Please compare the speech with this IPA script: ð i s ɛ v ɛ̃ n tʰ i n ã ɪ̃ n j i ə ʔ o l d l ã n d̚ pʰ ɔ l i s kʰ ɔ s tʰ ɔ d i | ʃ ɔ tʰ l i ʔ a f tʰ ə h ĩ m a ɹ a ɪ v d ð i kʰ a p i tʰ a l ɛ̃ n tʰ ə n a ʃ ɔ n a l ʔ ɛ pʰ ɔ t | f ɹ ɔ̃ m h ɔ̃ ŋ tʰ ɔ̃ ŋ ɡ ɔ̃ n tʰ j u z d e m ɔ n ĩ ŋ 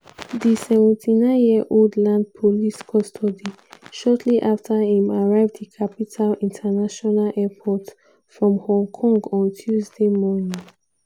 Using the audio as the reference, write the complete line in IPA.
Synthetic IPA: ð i s ɛ v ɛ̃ n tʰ i n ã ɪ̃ n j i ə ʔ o l d l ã n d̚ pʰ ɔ l i s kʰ ɔ s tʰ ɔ d i | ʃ ɔ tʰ l i ʔ a f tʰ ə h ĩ m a ɹ a ɪ v d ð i kʰ a p i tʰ a l ĩ n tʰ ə n a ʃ ɔ n a l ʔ ɛ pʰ ɔ t | f ɹ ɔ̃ m h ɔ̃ ŋ kʰ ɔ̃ ŋ ɡ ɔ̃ n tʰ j u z d e m ɔ n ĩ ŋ